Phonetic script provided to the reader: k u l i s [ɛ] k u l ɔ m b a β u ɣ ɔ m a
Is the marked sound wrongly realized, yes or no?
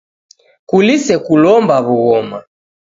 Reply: no